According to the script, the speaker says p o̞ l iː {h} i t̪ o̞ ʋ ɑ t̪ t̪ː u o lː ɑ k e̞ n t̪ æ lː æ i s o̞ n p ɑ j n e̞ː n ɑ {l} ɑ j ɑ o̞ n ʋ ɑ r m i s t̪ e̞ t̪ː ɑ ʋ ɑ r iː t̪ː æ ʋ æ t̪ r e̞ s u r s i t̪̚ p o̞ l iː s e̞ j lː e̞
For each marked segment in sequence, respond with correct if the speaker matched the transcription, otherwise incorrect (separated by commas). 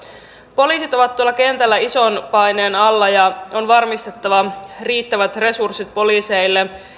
incorrect, incorrect